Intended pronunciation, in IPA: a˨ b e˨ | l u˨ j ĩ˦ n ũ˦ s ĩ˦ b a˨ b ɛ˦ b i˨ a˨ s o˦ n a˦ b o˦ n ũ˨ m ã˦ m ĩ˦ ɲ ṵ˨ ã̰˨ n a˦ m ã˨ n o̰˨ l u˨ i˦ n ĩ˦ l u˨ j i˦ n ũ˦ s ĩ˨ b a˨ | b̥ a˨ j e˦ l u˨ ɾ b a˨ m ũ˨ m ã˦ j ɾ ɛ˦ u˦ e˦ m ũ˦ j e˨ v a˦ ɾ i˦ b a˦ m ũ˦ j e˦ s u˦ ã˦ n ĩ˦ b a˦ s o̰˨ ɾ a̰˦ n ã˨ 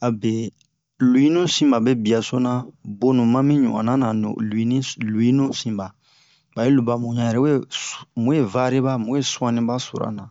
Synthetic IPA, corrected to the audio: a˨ b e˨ | l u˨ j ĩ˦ n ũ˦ s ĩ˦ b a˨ b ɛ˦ b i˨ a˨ s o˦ n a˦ b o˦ n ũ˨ m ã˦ m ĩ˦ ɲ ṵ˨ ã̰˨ n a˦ n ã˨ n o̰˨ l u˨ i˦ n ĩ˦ l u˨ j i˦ n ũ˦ s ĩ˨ b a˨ | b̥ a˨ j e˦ l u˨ b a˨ m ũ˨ ɲ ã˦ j ɾ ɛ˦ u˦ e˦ m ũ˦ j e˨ v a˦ ɾ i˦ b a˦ m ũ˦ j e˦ s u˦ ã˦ n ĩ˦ b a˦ s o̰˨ ɾ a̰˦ n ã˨